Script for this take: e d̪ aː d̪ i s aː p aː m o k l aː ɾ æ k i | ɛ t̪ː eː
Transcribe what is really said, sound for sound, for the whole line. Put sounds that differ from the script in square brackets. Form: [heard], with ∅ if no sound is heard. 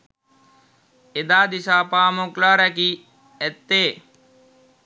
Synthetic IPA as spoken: e d̪ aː d̪ i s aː p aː m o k l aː ɾ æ k i | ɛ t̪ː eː